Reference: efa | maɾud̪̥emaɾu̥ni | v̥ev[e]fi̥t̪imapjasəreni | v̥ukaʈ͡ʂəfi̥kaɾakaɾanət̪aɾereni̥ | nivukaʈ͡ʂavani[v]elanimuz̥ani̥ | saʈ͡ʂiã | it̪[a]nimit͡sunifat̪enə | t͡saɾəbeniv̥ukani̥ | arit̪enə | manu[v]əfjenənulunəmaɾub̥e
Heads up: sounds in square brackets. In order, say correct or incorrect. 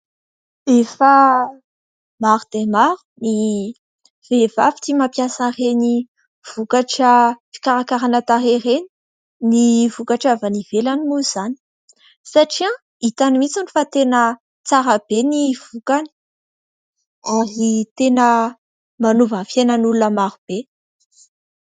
incorrect, correct, correct, correct

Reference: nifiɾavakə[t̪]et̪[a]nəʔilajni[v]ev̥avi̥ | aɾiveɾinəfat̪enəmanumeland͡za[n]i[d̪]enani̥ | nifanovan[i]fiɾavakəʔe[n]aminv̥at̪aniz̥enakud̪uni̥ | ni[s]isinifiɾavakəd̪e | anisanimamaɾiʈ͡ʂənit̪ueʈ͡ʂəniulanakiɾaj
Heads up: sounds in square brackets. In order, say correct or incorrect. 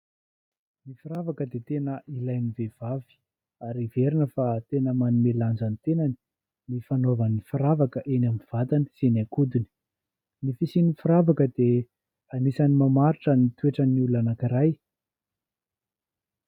incorrect, incorrect, correct, correct, incorrect, correct, correct, incorrect

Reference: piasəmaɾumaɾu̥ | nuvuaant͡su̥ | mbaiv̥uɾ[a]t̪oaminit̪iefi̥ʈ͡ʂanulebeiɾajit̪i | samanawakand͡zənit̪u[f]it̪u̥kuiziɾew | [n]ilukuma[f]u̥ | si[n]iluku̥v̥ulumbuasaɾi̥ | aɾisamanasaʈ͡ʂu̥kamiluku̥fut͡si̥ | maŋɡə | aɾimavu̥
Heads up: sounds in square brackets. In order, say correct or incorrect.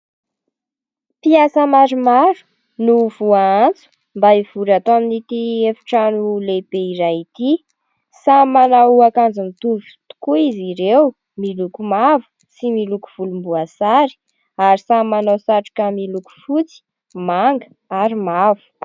correct, incorrect, incorrect, incorrect, incorrect

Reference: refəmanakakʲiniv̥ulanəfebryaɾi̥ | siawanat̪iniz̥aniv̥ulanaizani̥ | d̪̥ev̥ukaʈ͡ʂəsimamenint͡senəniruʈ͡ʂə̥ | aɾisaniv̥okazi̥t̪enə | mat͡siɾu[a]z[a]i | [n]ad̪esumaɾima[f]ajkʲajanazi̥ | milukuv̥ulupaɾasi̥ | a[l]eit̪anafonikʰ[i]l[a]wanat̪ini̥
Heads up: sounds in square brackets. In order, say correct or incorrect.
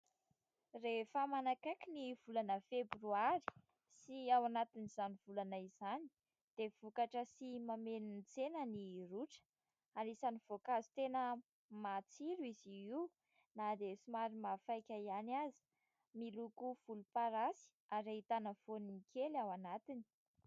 incorrect, incorrect, correct, correct, incorrect, incorrect, correct

